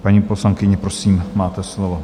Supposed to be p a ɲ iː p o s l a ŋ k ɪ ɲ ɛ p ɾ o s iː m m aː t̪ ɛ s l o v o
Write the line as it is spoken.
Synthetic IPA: p a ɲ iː p o s l a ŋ k ɪ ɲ ɛ p ɾ o s iː m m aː t̪ ɛ s l o v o